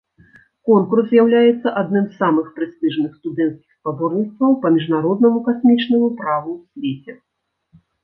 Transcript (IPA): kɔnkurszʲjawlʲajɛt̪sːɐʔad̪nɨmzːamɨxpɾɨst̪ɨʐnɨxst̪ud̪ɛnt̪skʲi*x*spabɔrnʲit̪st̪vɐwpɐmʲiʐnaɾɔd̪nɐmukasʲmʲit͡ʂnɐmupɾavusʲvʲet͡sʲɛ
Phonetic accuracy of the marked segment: correct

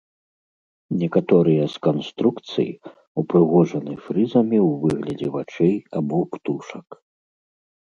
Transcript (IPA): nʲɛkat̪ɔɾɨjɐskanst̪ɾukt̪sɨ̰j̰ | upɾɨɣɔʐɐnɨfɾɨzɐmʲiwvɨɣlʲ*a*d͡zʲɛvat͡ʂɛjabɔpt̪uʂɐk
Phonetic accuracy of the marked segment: incorrect: ɐ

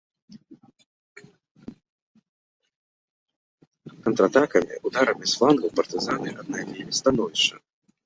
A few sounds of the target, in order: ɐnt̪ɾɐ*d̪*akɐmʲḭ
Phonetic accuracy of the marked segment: incorrect: t̪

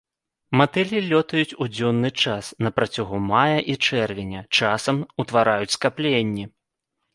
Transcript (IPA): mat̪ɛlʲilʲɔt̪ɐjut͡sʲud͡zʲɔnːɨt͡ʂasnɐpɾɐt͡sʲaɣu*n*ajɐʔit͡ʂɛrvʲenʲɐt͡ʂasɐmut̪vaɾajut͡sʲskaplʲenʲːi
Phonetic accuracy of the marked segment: incorrect: m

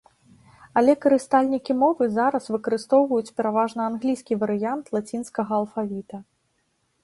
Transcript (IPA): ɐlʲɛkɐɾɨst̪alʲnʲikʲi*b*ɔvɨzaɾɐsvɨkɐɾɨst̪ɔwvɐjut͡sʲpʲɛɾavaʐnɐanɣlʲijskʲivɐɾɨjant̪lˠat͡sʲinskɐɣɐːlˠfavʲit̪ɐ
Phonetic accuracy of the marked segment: incorrect: m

